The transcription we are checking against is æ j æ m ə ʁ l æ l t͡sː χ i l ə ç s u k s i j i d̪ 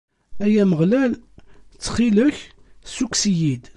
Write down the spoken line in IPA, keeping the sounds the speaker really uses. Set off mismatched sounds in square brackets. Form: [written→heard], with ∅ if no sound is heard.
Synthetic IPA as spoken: æ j æ m ə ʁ l æ l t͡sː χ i l ə ç s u k s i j i d̪